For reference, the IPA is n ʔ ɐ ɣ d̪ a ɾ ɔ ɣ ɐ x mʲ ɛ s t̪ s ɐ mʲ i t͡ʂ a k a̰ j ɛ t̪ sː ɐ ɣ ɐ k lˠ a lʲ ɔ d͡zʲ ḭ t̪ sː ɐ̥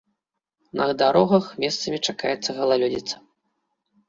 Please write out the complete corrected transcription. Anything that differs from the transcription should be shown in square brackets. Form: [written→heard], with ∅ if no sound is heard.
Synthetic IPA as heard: n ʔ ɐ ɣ d̪ a ɾ ɔ ɣ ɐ x mʲ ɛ s t̪ s ɐ mʲ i t͡ʂ a k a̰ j ɛ t̪ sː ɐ ɣ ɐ [k→∅] lˠ a lʲ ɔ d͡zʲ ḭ t̪ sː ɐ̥